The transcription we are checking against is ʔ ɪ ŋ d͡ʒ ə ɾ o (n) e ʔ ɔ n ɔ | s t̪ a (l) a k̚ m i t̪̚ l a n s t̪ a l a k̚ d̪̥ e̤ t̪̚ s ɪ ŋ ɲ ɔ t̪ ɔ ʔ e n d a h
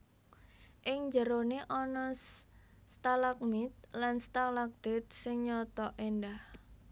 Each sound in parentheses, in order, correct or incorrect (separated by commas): correct, correct